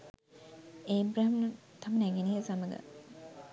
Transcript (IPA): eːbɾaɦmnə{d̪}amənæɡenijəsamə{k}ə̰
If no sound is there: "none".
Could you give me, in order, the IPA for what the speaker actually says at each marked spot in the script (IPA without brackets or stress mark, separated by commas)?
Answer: t̪, ɡ